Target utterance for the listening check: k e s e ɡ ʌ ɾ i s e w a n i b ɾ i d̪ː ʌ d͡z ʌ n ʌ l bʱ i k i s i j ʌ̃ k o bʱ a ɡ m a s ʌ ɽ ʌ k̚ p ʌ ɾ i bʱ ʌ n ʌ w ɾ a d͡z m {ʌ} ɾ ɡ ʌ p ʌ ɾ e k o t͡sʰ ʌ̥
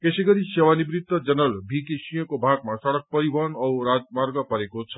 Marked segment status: incorrect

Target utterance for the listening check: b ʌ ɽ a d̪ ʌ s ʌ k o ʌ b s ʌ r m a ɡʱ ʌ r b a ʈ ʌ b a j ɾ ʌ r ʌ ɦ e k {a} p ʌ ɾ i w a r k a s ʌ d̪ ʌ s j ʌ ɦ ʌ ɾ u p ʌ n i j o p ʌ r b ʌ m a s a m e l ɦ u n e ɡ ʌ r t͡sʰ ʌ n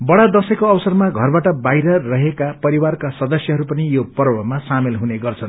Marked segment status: correct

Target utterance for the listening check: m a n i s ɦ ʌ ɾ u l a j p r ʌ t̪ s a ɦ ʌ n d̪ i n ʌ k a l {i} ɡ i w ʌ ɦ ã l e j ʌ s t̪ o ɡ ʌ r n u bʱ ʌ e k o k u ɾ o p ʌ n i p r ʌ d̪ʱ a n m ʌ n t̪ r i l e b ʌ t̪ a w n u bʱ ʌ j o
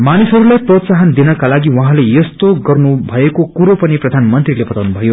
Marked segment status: incorrect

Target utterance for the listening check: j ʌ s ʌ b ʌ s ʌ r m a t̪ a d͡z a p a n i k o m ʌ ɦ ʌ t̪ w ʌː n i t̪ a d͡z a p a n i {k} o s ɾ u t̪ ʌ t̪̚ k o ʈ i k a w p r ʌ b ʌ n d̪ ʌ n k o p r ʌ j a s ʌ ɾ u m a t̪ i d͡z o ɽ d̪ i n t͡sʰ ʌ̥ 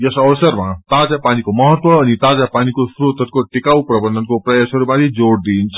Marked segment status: correct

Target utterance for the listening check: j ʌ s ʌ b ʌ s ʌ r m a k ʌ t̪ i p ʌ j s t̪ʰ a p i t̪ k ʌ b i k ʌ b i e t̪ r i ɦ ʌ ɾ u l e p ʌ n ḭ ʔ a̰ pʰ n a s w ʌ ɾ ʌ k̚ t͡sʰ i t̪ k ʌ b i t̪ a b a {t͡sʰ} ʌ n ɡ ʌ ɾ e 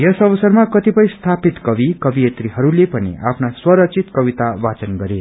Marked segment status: incorrect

